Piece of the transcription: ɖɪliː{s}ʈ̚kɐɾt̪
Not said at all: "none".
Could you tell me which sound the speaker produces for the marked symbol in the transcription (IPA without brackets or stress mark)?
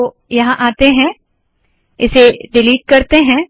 none